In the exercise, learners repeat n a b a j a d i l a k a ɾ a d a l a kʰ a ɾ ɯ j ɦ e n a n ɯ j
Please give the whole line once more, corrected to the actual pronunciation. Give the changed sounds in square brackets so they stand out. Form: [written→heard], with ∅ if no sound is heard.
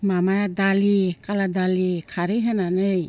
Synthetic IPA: [n→m] a [b→m] a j a d [i→a] l [a→i] k a [ɾ→l] a d a l [a→i] kʰ a ɾ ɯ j ɦ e n a n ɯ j

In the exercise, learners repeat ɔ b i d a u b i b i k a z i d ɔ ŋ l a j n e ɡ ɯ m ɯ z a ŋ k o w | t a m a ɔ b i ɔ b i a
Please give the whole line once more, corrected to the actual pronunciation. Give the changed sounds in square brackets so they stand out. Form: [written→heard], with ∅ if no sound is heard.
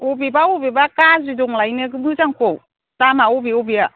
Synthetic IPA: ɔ b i [d→b] a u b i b [i→a] k a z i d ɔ ŋ l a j n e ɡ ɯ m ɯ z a ŋ k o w | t a m a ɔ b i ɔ b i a

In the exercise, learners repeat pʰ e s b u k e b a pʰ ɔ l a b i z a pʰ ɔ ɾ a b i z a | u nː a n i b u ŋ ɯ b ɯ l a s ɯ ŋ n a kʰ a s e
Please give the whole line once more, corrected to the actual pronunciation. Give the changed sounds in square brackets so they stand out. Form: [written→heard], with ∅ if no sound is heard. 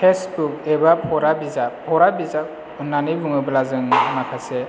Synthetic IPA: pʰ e s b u k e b a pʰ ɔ [l→ɾ] a b i z a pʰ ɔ ɾ a b i z a | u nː a n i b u ŋ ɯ b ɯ l a [s→z] ɯ ŋ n a kʰ a s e

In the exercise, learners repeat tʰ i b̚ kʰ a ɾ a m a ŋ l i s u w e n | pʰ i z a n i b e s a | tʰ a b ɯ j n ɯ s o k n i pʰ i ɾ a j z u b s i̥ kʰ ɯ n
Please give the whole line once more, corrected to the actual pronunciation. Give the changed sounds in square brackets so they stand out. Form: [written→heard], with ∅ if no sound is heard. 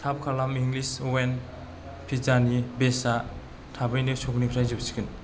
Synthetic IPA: tʰ [i→a] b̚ kʰ a [ɾ→l] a m [a→i] ŋ l i s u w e n | pʰ i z a n i b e s a | tʰ a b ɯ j n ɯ s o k n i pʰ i ɾ a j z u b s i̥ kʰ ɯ n

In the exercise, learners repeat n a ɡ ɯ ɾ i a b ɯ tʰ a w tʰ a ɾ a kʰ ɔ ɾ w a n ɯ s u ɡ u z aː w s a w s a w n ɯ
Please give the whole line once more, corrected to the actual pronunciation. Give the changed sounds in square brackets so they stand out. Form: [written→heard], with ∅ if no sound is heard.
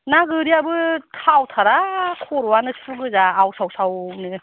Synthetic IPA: n a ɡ ɯ ɾ i a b ɯ tʰ a w tʰ a ɾ a kʰ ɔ ɾ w a n ɯ s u ɡ [u→ɯ] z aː w s a w s a w n ɯ

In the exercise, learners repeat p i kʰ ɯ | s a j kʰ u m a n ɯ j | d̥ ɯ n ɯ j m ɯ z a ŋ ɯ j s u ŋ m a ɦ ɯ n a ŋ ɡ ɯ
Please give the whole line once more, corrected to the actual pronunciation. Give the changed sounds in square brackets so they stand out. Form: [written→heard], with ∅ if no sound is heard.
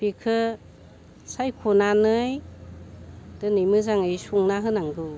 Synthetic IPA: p i kʰ ɯ | s a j kʰ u [m→n] a n ɯ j | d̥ ɯ n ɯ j m ɯ z a ŋ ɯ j s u ŋ [m→n] a ɦ ɯ n a ŋ ɡ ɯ

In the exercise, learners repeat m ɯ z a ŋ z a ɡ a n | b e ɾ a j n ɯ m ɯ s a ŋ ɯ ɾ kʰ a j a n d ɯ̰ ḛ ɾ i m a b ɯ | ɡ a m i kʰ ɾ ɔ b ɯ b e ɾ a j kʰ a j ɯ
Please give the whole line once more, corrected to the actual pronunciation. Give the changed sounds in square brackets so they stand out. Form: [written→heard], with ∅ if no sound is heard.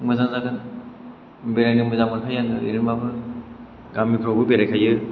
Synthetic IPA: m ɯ z a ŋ z a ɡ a n | b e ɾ a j n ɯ m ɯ [s→z] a [ŋ→m] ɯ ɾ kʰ a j a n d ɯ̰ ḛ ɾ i m a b ɯ | ɡ a m i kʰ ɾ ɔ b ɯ b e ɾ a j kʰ a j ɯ

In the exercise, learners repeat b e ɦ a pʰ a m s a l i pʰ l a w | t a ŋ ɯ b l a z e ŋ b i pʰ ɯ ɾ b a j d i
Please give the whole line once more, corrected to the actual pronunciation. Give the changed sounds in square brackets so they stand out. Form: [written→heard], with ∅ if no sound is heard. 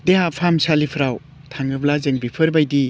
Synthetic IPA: [b→d] e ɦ a pʰ a m s a l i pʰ [l→ɾ] a w | [t→tʰ] a ŋ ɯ b l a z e ŋ b i pʰ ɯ ɾ b a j d i

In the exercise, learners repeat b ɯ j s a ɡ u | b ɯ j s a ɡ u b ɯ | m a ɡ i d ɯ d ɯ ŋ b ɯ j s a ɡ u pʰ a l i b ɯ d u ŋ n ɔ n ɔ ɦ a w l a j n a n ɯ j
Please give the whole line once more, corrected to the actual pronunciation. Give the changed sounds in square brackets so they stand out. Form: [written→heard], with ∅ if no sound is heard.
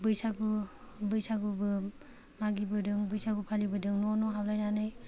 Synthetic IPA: b ɯ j s a ɡ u | b ɯ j s a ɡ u b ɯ | m a ɡ i [d→b] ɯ d ɯ ŋ b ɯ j s a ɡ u pʰ a l i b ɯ d [u→ɯ] ŋ n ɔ n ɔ ɦ a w l a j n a n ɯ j

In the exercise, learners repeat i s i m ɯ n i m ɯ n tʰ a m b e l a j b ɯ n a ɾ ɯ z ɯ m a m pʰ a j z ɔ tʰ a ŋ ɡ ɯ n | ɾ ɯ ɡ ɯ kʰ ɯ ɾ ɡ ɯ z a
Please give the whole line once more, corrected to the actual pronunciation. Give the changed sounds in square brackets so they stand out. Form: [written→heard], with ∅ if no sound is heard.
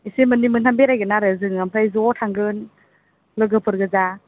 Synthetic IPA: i s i m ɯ n i m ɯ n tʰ a m b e [l→ɾ] a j [b→ɡ] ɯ n a ɾ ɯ z ɯ [m→ŋ] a m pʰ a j z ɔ tʰ a ŋ ɡ ɯ n | [ɾ→l] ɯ ɡ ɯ [kʰ→pʰ] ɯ ɾ ɡ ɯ z a

